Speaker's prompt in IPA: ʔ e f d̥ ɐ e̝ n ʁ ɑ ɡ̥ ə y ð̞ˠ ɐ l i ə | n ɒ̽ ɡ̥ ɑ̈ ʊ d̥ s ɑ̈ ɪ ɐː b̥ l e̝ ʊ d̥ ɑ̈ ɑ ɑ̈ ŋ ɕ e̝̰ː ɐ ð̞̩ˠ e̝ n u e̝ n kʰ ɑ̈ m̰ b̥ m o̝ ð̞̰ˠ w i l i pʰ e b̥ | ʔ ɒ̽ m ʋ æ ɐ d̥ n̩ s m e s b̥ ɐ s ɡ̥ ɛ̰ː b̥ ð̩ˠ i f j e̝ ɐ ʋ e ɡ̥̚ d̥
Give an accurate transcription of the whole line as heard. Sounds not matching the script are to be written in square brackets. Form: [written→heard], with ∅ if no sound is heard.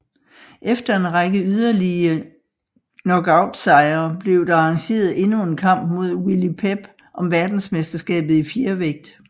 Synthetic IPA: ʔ e f d̥ ɐ e̝ n ʁ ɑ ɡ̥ ə y ð̞ˠ ɐ l i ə | n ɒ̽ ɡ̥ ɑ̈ ʊ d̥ s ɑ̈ ɪ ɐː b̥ l e̝ ʊ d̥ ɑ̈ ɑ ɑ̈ ŋ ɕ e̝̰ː ɐ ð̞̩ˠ e̝ n u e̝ n kʰ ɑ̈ m̰ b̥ m o̝ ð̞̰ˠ w i l i pʰ e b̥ | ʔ ɒ̽ m ʋ æ ɐ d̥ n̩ s m e s [b̥→d̥] ɐ s ɡ̥ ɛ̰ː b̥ ð̩ˠ i f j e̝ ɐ ʋ e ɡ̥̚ d̥